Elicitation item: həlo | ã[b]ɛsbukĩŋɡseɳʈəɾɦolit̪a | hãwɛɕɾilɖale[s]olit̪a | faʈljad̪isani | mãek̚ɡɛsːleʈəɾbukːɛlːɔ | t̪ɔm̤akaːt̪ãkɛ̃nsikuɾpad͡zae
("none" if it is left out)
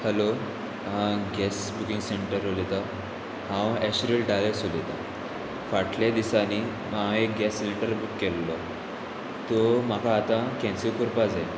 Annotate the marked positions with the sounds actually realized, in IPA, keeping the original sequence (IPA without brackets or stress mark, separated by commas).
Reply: ɡ, s